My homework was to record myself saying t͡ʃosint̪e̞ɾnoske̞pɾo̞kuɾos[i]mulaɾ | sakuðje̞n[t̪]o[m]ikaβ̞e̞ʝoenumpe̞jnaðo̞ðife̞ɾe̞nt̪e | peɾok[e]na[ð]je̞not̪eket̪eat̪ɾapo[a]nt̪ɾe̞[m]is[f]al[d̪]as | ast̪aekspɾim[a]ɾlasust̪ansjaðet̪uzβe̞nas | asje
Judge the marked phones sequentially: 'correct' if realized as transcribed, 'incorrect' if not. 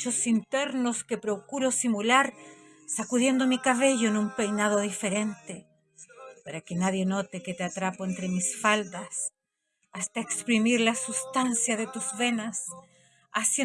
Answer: correct, incorrect: d̪, correct, correct, correct, incorrect: e, correct, correct, correct, incorrect: i

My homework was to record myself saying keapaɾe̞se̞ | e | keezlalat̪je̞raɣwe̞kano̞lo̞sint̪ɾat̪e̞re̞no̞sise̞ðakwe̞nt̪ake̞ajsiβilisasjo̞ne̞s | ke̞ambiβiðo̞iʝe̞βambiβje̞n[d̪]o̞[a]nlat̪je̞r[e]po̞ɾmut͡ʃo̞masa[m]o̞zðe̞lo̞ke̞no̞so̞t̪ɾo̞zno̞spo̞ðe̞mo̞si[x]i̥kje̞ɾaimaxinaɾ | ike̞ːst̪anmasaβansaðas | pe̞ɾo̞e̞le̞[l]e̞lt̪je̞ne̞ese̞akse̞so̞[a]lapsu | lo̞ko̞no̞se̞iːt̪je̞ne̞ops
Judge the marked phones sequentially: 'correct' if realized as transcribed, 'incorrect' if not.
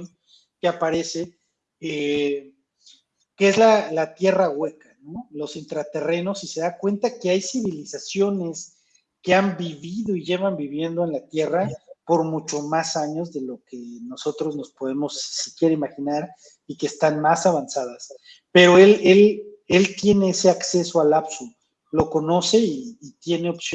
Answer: correct, incorrect: e, incorrect: a, incorrect: ɲ, incorrect: s, correct, correct

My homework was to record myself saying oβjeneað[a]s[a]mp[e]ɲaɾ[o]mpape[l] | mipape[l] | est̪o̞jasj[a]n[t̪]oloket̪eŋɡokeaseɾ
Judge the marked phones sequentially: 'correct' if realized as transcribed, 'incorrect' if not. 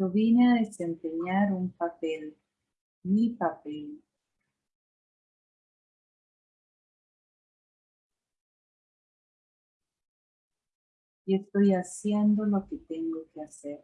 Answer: incorrect: e, incorrect: e, correct, incorrect: u, correct, correct, incorrect: e, incorrect: d̪

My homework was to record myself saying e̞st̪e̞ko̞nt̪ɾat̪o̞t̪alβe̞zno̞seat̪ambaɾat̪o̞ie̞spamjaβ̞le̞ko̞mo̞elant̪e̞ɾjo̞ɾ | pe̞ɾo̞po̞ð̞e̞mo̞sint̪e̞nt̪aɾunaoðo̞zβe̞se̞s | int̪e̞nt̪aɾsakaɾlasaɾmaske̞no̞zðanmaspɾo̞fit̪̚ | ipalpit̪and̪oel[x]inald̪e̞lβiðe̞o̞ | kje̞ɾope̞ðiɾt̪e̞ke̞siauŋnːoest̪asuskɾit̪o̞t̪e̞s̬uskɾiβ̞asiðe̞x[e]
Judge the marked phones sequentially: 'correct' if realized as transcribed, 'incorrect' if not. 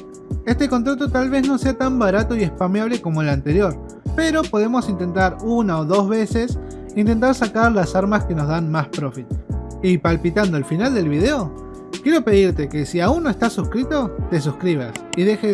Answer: incorrect: f, correct

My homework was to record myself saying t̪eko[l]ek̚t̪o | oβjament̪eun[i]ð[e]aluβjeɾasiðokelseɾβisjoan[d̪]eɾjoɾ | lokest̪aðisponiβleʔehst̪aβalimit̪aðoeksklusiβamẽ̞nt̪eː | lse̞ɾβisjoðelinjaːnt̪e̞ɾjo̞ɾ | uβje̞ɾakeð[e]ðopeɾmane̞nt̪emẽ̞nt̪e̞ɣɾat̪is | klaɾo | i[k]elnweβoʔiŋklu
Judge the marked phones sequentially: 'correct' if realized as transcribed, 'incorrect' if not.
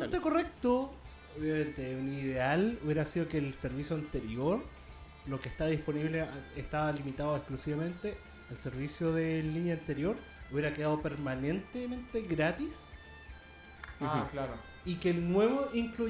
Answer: incorrect: r, correct, correct, incorrect: t̪, incorrect: a, correct

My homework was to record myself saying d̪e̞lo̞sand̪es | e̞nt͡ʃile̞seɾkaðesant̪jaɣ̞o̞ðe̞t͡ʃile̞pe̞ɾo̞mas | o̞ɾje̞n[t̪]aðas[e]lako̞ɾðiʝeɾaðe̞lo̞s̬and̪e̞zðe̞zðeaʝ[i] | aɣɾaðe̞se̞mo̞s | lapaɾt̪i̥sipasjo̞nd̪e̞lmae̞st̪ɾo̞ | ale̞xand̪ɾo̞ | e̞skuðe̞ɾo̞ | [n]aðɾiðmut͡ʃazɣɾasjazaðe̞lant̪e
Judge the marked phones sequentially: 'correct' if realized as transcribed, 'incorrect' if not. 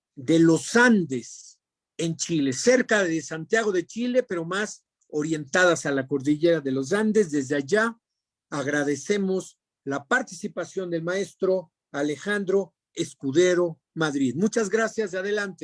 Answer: correct, incorrect: a, incorrect: a, incorrect: m

